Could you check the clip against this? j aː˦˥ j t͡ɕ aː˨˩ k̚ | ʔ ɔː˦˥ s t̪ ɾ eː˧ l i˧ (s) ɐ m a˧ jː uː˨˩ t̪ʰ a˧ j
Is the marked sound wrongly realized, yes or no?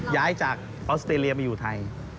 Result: yes